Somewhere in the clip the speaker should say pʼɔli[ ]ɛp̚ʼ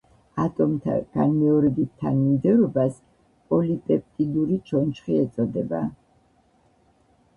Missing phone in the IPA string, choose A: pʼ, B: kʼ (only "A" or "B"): A